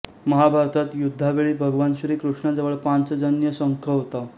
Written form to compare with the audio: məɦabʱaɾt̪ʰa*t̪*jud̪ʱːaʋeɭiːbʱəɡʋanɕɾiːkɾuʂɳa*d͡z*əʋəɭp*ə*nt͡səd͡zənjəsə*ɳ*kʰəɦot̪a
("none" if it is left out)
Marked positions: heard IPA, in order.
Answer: t̪, d͡z, a, ŋ

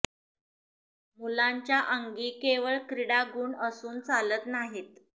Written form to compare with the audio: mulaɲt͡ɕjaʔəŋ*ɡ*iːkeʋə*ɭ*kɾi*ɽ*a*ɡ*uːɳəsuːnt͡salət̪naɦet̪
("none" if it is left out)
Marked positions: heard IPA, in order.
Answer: ɡ, ɭ, ɽ, ɡ

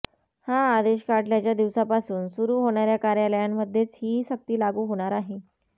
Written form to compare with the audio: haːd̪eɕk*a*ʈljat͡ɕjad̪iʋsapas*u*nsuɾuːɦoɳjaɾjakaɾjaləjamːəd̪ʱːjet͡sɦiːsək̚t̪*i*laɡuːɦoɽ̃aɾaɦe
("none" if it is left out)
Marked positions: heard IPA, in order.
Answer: a, uː, iː

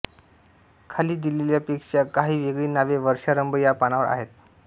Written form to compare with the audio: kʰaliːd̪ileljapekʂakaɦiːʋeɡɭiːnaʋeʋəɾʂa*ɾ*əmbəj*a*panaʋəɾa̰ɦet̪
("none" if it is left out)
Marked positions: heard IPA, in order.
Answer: ɾ, a

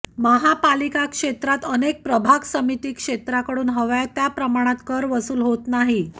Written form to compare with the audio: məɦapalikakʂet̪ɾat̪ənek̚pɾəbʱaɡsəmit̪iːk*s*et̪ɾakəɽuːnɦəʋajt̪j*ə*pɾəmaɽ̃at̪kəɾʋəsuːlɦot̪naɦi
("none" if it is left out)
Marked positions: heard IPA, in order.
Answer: ʂ, a

